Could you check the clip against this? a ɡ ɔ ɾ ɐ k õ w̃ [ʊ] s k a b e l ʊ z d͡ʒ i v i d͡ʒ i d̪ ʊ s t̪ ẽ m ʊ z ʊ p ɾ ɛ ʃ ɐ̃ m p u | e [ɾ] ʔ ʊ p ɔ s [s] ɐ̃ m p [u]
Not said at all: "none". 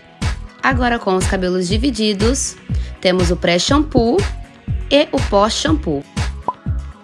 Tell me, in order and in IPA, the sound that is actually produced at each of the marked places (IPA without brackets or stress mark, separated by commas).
ʊ, none, ʃ, u